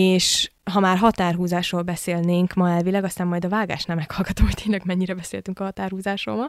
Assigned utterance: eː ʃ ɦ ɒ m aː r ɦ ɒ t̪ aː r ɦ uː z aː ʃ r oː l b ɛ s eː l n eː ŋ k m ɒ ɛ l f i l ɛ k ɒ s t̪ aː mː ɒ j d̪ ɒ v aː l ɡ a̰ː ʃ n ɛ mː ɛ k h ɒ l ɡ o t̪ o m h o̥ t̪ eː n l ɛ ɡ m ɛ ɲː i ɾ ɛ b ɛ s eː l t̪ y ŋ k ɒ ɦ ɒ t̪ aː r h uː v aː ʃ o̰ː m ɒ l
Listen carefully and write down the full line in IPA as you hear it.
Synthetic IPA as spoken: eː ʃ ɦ ɒ m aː r ɦ ɒ t̪ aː r ɦ uː z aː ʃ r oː l b ɛ s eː l n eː ŋ k m ɒ ɛ l v i l ɛ ɡ ɒ s t̪ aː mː ɒ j d̪ ɒ v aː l ɡ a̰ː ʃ n ɛ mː ɛ k h ɒ l ɡ ɒ t̪ o m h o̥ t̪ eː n l ɛ ɡ m ɛ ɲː i ɾ ɛ b ɛ s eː l t̪ y ŋ k ɒ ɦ ɒ t̪ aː r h uː z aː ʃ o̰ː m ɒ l